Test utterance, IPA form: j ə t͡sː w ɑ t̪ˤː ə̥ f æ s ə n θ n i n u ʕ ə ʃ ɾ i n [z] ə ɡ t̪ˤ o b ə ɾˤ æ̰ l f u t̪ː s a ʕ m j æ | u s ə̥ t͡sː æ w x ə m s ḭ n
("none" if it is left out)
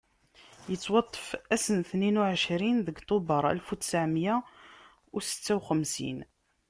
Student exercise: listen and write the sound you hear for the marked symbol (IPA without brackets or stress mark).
ð